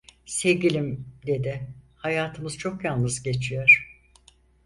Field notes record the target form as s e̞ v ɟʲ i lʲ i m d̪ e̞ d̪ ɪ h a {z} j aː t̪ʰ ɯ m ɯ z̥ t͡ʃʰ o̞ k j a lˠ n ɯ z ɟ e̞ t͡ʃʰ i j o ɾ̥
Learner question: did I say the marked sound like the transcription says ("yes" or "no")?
no